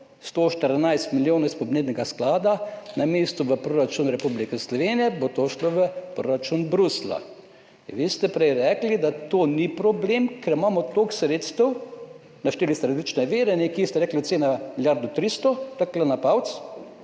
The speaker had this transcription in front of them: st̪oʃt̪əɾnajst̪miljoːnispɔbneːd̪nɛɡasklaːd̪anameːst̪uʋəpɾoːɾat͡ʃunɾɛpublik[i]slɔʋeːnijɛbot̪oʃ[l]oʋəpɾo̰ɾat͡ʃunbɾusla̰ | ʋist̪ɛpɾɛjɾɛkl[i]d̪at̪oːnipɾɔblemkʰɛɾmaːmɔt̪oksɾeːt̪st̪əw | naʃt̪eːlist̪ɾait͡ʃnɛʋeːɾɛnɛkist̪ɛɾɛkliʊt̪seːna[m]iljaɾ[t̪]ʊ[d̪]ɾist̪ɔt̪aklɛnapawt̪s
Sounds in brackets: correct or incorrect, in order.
incorrect: ɛ, correct, correct, correct, incorrect: d̪, incorrect: t̪

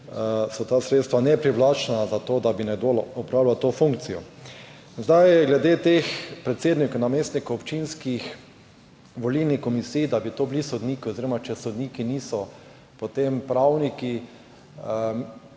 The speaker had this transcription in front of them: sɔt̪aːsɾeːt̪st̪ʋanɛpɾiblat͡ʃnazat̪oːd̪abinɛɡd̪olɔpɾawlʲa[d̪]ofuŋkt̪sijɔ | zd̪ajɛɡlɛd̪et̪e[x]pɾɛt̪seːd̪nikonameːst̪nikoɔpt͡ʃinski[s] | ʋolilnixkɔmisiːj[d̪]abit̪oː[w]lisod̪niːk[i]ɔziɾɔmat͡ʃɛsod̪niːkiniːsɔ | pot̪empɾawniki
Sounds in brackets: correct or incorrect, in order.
incorrect: t̪, correct, incorrect: x, correct, incorrect: b, correct

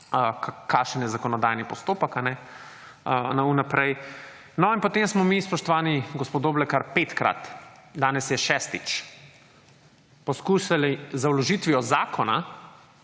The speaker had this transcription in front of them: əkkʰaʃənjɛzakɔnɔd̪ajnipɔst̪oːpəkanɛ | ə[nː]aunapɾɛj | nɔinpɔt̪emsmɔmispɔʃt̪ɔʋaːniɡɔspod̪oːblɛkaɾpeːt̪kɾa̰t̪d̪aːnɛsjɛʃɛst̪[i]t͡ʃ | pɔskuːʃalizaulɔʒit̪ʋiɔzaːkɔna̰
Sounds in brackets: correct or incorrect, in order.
incorrect: n, correct

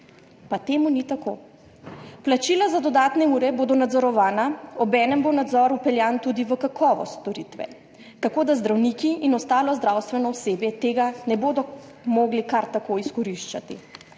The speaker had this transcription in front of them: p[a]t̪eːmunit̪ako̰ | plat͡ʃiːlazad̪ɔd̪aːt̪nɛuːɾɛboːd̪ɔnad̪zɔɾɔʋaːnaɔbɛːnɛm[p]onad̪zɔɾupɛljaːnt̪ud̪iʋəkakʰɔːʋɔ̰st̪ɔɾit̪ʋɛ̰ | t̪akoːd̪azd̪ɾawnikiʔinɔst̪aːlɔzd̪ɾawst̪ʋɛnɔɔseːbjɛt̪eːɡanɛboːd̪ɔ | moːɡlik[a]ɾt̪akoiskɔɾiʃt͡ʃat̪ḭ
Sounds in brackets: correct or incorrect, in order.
correct, incorrect: b, correct

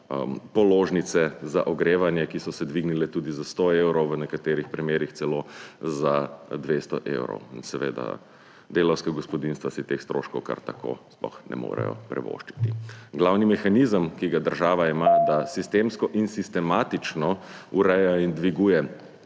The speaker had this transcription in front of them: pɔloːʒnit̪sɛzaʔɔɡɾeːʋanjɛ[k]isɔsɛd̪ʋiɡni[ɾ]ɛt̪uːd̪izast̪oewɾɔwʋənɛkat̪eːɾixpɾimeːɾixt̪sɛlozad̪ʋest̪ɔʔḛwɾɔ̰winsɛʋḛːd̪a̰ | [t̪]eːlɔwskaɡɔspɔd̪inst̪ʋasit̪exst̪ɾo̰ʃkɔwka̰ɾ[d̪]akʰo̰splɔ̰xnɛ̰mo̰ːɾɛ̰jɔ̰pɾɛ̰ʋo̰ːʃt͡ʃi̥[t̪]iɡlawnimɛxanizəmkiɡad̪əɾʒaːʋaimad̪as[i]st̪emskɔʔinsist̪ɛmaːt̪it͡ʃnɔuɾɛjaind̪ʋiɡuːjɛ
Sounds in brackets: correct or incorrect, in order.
correct, incorrect: l, incorrect: d̪, incorrect: t̪, correct, correct

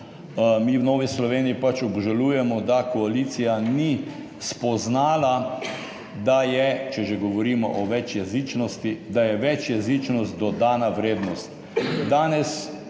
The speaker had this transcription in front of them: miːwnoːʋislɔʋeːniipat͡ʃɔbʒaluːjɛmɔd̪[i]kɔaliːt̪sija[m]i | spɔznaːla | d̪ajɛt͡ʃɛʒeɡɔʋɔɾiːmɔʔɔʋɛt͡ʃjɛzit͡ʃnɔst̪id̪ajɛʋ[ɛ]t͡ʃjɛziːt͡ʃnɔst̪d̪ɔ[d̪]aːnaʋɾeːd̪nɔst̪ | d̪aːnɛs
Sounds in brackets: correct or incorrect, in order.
incorrect: a, incorrect: n, correct, correct

